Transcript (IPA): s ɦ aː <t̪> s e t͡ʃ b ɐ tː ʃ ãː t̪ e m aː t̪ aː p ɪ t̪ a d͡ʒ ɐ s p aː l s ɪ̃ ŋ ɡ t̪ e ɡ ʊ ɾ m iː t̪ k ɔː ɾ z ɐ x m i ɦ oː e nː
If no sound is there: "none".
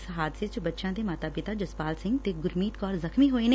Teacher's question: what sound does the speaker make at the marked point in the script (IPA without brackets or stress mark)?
d̪